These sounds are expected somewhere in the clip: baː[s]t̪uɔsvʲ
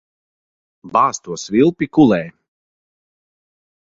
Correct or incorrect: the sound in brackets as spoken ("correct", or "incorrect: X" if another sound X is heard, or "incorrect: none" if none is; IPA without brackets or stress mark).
correct